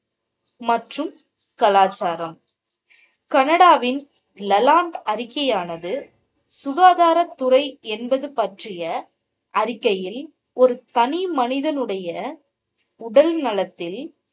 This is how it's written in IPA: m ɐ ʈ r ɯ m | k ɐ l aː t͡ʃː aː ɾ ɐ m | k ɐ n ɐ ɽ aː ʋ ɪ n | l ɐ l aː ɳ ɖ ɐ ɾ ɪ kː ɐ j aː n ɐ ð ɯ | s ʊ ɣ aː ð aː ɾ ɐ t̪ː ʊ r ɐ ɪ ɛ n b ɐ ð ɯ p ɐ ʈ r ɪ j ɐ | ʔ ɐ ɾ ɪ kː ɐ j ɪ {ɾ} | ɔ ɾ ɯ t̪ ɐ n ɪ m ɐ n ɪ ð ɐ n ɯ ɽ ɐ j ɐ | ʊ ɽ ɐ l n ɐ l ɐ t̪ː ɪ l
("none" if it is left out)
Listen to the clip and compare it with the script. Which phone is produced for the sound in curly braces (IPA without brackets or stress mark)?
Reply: l